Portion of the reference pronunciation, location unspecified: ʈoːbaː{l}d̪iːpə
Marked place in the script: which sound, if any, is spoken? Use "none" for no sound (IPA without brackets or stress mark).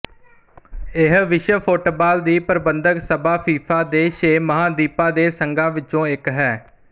l